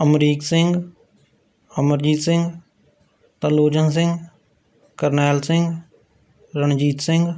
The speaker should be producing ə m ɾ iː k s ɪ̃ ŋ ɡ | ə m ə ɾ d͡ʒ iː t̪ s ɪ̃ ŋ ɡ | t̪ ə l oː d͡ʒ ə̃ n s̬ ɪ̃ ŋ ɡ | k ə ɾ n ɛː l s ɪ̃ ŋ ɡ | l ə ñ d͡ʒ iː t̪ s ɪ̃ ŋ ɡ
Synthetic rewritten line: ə m ɾ iː k s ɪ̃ ŋ ɡ | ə m ə ɾ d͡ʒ iː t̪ s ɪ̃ ŋ ɡ | t̪ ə l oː d͡ʒ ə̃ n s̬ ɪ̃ ŋ ɡ | k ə ɾ n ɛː l s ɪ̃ ŋ ɡ | ɾ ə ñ d͡ʒ iː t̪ s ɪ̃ ŋ ɡ